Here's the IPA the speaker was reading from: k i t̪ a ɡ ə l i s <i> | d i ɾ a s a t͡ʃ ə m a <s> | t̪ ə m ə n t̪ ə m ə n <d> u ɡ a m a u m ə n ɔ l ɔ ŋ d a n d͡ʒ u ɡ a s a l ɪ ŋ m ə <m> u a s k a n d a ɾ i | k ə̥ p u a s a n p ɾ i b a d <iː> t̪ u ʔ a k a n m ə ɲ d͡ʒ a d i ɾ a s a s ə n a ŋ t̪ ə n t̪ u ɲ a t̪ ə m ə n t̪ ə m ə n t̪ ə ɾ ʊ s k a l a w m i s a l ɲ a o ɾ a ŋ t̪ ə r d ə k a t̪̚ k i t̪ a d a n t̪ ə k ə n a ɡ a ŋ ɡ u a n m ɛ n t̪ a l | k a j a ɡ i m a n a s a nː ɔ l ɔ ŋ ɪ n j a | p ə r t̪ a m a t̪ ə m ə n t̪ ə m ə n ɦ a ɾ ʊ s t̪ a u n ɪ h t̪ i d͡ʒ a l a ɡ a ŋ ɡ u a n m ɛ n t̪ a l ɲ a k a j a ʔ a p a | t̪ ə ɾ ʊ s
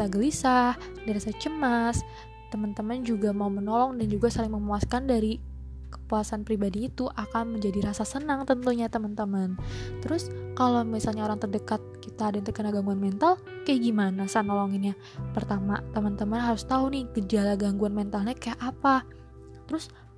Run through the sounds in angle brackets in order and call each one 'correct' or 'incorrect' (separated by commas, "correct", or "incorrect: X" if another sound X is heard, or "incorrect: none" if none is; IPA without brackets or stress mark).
incorrect: a, correct, incorrect: d͡ʒ, correct, correct